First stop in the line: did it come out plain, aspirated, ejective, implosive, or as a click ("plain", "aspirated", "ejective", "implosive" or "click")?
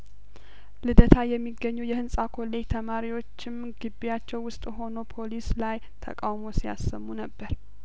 plain